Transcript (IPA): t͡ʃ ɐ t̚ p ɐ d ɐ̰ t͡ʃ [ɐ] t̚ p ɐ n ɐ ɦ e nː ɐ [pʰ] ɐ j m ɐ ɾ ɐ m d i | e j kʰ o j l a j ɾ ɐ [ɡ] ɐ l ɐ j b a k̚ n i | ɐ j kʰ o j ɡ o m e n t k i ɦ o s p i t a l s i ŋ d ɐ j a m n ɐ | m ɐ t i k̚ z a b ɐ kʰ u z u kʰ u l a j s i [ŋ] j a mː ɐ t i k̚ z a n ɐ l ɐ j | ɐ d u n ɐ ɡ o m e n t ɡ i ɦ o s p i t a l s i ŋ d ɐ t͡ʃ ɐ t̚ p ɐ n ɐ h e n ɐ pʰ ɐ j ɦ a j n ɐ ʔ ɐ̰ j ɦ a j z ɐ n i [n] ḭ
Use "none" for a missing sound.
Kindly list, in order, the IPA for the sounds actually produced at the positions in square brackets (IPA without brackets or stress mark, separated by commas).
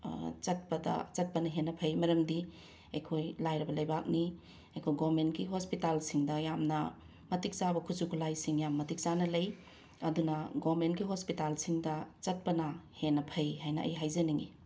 ɐ, pʰ, b, ŋ, ŋ